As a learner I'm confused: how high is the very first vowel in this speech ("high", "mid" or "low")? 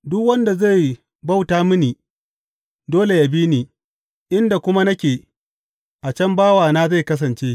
high